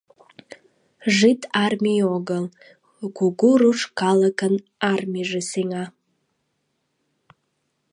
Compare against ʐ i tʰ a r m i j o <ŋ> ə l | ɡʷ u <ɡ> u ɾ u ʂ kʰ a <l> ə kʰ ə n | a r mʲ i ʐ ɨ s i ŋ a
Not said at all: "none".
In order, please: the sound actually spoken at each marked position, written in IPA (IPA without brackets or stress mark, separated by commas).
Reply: ɡ, ɡ, l